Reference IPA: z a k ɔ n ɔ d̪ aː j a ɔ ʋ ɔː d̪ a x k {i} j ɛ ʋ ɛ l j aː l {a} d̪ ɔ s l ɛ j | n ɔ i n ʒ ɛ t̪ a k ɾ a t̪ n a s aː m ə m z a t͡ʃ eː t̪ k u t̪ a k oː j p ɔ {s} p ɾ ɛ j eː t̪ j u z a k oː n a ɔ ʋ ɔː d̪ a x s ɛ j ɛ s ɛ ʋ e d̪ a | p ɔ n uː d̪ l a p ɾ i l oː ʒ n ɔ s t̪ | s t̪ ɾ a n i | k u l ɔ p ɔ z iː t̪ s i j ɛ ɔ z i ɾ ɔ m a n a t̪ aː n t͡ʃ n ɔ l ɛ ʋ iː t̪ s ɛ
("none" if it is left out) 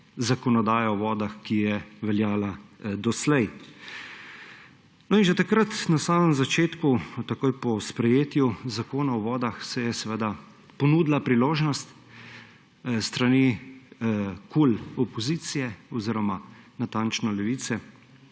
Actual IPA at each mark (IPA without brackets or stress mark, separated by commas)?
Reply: i, a, s